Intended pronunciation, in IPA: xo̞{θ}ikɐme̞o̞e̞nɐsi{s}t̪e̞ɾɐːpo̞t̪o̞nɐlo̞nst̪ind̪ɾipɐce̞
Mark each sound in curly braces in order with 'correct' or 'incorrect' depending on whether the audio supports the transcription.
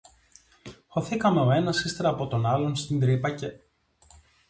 correct, correct

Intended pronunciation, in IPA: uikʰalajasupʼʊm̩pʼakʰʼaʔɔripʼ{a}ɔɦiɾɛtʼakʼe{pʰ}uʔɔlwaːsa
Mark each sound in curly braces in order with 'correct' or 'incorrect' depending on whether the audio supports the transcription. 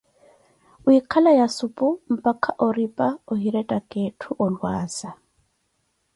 correct, incorrect: tʰ

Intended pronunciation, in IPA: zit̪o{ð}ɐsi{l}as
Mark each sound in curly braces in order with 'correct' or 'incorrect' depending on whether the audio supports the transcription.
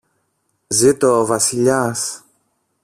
incorrect: v, incorrect: ʎ

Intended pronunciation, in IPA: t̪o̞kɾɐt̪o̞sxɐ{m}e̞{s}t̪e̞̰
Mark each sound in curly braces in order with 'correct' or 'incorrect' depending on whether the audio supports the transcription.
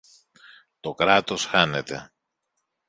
incorrect: n, incorrect: none

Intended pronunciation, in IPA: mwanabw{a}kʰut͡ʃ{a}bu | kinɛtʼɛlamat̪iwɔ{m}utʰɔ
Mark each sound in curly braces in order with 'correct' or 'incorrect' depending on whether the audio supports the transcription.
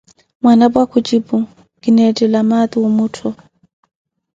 correct, incorrect: i, correct

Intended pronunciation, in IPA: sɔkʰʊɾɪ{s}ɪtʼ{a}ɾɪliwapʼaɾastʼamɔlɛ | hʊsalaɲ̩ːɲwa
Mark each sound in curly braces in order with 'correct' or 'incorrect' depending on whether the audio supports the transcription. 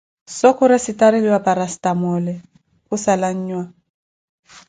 correct, correct

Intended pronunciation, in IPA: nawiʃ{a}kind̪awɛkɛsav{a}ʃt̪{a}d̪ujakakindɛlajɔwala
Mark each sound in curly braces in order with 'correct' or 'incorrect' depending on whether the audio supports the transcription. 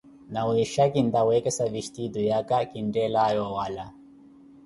correct, incorrect: i, incorrect: i

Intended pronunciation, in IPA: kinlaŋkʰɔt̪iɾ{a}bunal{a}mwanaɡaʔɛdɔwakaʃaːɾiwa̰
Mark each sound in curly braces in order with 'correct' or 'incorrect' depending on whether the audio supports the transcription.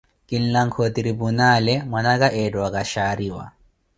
incorrect: i, incorrect: ɛ

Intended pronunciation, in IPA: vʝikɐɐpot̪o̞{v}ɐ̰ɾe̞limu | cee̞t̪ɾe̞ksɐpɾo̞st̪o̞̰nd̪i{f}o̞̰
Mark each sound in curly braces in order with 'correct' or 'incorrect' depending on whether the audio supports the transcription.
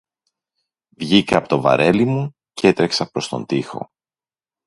correct, incorrect: x

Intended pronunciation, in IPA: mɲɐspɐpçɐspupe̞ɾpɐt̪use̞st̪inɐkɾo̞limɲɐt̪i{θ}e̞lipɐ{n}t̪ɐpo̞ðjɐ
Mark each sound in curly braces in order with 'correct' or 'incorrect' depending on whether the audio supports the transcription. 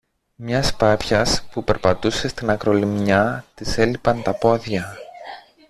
incorrect: s, correct

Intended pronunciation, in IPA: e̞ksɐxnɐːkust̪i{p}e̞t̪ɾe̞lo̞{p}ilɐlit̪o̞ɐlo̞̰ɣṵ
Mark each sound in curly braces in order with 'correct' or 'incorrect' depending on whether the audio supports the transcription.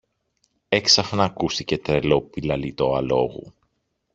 incorrect: c, correct

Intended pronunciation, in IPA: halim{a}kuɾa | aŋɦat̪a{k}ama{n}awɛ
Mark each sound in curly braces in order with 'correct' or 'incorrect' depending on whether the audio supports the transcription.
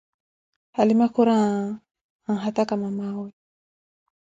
correct, correct, incorrect: m

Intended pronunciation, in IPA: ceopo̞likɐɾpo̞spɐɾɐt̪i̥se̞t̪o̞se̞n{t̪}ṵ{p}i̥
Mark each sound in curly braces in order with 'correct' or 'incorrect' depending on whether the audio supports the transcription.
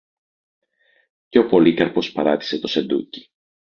incorrect: d̪, incorrect: c

